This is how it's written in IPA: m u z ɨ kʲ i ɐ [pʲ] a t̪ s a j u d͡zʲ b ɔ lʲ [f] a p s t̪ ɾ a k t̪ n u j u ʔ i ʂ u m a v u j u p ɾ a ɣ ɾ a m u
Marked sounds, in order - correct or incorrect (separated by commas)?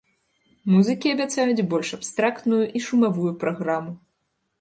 incorrect, incorrect